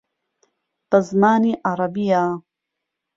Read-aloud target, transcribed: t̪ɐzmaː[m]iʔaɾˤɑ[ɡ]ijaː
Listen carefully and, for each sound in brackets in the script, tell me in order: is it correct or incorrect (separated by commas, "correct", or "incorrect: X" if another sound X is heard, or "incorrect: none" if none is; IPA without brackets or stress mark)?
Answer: incorrect: n, incorrect: b